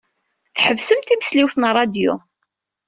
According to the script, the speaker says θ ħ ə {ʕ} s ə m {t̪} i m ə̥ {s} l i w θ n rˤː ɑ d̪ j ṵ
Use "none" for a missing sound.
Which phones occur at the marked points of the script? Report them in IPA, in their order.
v, t̪, s

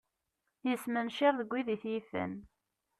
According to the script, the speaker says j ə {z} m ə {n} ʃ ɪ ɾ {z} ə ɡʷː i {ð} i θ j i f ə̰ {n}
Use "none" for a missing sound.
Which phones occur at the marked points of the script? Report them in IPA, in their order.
s, n, ð, ð, n

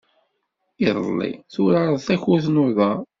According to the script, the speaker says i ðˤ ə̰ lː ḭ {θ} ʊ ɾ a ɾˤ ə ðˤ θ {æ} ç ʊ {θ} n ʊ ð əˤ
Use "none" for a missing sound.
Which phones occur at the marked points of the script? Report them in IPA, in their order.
θ, æ, θ

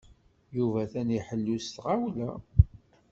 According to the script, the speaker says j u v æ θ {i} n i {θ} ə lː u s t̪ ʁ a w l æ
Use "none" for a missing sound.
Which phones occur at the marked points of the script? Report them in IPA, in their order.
æ, ħ

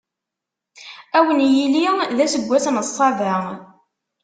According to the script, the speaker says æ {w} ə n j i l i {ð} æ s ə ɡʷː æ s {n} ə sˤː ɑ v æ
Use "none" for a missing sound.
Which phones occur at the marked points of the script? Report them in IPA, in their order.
w, ð, n

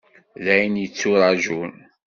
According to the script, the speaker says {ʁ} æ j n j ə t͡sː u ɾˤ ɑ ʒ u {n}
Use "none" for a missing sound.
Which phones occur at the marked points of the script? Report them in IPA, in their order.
ð, n

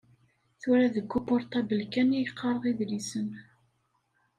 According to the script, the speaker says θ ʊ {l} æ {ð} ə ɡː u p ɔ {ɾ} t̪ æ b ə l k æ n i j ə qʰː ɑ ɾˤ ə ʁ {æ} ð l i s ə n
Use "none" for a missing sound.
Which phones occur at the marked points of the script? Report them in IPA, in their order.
ɾ, ð, ɾ, i

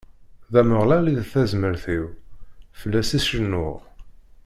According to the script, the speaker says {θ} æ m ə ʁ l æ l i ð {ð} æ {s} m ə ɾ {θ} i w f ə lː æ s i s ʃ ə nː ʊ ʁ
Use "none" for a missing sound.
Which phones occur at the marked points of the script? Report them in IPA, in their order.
ð, θ, z, θ

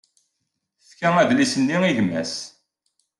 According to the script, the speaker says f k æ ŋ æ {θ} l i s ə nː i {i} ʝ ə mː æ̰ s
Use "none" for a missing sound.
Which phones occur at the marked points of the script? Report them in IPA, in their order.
ð, i

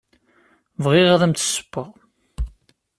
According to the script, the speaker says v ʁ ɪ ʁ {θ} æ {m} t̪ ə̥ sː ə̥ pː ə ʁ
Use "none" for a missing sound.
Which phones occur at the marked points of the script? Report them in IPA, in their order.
ð, m

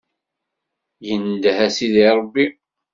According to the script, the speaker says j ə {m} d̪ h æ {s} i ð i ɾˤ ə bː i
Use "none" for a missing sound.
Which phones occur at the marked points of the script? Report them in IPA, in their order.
n, s

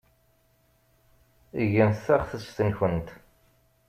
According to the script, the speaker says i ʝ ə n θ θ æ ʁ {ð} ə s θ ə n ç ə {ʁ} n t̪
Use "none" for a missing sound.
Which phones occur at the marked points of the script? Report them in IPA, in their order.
θ, none

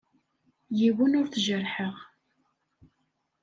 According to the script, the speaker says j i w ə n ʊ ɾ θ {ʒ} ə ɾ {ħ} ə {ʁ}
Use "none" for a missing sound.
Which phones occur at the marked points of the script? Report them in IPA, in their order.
ʒ, ħ, ʁ

